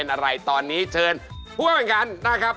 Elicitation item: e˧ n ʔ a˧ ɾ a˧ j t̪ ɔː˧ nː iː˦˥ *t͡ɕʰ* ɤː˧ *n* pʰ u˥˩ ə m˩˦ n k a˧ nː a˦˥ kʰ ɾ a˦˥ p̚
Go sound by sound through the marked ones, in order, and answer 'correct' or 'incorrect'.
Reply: correct, correct

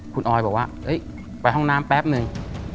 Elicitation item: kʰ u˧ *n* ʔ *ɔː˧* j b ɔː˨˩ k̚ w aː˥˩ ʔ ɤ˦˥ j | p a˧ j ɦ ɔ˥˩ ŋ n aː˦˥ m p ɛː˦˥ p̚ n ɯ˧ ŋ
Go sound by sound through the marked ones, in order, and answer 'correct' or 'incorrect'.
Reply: correct, correct

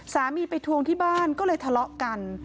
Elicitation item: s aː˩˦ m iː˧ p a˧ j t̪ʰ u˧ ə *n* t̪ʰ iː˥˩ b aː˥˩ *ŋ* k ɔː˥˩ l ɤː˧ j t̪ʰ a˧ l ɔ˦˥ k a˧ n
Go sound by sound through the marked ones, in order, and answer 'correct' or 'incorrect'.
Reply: incorrect, incorrect

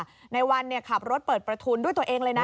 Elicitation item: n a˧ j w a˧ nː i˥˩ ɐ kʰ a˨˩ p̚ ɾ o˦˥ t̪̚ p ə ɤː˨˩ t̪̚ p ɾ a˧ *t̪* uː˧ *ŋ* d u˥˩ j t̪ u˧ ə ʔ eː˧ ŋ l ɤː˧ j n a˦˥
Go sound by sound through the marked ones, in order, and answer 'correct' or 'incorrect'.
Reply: incorrect, incorrect

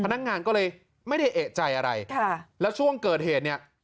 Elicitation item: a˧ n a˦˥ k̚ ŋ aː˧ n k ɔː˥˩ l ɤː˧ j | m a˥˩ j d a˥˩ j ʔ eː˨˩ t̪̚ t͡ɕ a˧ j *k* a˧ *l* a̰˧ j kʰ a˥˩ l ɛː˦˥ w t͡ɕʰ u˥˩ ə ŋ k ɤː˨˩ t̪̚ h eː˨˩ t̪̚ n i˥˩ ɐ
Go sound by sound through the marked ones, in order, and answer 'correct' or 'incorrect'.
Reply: incorrect, incorrect

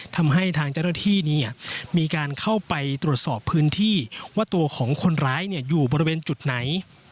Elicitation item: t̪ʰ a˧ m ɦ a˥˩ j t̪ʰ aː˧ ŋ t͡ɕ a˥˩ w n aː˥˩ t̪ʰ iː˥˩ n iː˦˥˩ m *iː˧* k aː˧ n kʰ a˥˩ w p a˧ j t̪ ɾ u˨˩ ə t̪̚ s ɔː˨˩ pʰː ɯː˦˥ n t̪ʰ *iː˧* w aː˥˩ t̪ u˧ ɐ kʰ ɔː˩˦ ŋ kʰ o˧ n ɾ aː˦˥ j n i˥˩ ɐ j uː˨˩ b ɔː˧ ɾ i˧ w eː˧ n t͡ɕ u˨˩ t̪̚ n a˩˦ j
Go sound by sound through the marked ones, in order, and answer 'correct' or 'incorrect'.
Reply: correct, incorrect

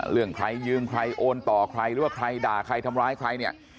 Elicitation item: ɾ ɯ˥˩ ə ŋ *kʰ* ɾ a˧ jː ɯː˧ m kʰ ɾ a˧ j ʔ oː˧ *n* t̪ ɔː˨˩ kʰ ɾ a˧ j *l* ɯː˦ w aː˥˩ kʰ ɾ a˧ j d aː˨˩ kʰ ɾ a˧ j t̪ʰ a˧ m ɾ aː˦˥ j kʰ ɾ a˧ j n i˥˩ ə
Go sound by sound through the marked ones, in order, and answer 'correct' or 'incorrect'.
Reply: correct, correct, incorrect

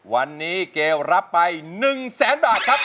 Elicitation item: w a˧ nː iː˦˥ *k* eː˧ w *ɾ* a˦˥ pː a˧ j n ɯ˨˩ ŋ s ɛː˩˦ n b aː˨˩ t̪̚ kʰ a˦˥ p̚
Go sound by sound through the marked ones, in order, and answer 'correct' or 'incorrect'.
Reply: correct, correct

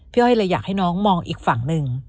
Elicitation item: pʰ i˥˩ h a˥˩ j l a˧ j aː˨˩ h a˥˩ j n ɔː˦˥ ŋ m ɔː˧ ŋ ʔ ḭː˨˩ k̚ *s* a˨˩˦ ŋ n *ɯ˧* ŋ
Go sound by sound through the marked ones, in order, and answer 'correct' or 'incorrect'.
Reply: incorrect, correct

